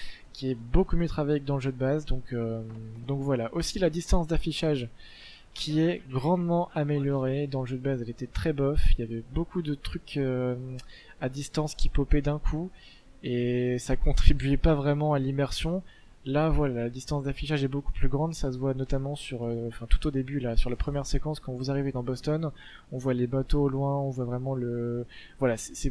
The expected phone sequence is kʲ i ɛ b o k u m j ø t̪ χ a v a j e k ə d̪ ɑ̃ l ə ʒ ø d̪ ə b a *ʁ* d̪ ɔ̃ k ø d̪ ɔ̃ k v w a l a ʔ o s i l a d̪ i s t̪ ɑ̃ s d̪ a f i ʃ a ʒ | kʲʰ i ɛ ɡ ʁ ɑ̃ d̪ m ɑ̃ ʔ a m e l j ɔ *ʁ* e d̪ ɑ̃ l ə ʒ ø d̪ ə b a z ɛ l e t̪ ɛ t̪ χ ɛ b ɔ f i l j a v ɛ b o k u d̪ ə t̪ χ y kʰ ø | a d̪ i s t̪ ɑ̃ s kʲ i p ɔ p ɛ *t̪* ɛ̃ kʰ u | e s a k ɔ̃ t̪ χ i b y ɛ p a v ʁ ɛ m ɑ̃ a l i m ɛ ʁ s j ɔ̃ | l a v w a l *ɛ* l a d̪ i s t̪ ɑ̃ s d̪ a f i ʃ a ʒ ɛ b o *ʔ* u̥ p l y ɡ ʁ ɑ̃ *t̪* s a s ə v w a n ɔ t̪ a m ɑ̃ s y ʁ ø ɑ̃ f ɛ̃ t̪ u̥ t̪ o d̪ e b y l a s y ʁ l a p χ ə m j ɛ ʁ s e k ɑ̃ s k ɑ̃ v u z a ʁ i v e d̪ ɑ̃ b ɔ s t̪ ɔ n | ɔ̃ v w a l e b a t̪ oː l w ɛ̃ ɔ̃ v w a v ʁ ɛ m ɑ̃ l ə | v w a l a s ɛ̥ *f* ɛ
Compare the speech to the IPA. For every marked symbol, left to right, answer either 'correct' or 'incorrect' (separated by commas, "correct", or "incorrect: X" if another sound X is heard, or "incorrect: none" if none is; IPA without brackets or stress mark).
incorrect: z, correct, incorrect: d̪, incorrect: a, incorrect: k, incorrect: d̪, incorrect: s